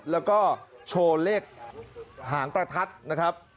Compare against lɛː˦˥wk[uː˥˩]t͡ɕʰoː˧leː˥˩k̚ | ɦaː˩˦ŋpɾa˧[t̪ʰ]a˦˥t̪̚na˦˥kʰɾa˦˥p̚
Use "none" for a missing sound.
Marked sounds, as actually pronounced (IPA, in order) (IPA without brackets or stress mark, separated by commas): ɔː˥˩, t̪ʰ